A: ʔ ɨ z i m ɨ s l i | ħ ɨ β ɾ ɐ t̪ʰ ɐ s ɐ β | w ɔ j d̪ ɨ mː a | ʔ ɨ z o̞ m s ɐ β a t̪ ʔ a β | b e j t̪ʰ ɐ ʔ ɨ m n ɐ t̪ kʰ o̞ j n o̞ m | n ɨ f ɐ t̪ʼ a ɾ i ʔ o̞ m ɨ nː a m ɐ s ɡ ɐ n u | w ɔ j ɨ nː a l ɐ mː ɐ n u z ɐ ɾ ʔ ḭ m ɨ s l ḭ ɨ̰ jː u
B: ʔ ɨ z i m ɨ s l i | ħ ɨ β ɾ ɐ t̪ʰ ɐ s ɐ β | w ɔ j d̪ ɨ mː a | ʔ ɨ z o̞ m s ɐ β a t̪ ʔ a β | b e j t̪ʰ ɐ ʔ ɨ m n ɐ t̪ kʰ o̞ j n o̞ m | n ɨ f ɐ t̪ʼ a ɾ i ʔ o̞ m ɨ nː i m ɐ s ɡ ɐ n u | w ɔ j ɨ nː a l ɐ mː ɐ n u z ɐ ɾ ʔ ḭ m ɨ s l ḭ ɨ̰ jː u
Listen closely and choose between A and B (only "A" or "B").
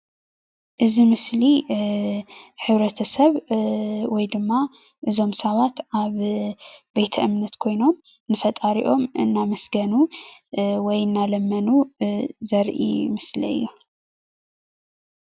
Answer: A